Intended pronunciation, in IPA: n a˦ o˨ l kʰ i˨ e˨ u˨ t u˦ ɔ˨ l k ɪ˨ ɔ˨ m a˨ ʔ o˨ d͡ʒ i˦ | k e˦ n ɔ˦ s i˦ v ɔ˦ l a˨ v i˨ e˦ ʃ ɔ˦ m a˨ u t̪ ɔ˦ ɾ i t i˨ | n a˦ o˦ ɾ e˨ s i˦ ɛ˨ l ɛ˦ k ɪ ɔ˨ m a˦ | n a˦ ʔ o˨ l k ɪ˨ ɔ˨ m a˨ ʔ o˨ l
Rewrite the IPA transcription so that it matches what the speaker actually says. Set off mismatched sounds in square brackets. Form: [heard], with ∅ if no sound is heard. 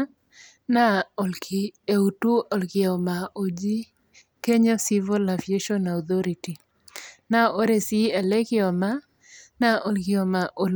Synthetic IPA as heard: n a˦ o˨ l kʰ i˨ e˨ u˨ t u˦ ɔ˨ l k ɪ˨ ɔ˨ m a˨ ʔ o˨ d͡ʒ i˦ | k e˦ [ɲ] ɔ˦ s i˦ v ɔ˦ l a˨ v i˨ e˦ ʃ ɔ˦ [n] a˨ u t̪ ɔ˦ ɾ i t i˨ | n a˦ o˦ ɾ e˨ s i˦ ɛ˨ l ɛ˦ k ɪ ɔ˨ m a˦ | n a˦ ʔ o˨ l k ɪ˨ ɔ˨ m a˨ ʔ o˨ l